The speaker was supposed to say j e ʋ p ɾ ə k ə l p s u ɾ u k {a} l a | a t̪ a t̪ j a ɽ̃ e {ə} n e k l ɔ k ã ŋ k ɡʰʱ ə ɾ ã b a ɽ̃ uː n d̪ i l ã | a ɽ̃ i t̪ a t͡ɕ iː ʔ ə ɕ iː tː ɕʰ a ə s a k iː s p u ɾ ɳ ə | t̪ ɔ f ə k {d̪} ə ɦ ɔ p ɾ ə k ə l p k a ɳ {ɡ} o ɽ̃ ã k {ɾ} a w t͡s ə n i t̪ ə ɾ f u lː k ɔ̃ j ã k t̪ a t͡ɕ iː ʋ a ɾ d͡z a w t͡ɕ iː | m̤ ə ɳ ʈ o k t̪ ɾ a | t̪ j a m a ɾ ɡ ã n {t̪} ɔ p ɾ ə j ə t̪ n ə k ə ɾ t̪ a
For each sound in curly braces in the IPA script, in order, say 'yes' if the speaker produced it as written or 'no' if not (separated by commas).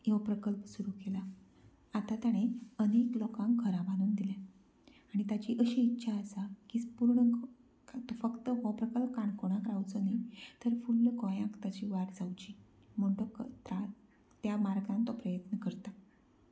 no, yes, no, no, yes, yes